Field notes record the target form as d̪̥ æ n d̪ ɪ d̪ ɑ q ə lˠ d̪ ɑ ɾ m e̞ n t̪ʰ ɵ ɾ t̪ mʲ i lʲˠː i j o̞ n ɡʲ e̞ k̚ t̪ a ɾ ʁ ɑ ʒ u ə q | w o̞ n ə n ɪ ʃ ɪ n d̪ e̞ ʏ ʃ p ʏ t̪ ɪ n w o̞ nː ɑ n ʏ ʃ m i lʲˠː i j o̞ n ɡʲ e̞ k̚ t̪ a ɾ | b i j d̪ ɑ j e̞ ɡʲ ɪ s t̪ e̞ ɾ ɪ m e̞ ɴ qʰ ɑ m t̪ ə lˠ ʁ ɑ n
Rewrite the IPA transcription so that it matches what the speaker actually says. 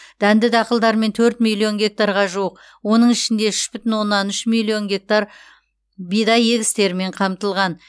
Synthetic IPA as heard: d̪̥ æ n d̪ ɪ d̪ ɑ q ə lˠ d̪ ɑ ɾ m e̞ n t̪ʰ ɵ ɾ t̪ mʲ i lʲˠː i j o̞ n ɡʲ e̞ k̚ t̪ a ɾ ʁ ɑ ʒ u ə q | w o̞ n ə ɴ ɪ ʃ ɪ n d̪ e̞ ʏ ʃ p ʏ t̪ ɪ n w o̞ nː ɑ n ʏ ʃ m i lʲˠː i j o̞ n ɡʲ e̞ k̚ t̪ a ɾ | b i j d̪ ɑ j e̞ ɡʲ ɪ s t̪ e̞ ɾ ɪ m e̞ ɴ qʰ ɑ m t̪ ə lˠ ʁ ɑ n